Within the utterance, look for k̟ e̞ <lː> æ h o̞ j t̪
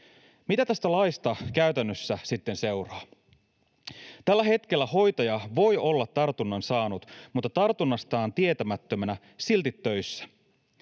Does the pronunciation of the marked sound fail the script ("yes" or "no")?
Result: no